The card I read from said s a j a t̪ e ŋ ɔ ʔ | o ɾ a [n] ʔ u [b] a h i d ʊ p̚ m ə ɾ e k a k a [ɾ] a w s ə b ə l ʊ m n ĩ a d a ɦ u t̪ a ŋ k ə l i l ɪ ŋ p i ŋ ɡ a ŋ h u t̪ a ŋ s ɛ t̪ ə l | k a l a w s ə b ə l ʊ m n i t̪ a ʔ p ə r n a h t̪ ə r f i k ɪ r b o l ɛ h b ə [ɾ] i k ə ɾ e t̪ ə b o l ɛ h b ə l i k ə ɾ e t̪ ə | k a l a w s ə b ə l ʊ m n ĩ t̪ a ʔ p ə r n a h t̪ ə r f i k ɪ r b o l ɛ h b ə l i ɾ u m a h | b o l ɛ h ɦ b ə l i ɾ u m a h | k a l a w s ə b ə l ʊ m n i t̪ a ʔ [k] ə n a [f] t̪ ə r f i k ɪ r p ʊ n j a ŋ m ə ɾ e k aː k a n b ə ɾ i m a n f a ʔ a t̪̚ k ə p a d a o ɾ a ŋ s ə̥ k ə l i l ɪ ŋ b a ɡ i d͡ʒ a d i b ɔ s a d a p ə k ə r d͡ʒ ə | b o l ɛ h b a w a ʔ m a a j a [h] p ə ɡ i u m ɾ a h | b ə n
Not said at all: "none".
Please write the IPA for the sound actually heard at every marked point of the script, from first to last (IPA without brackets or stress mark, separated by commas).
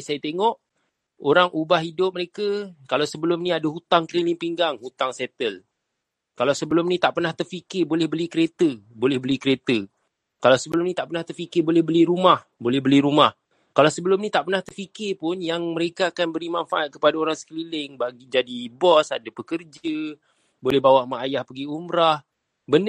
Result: ŋ, b, l, l, p, h, h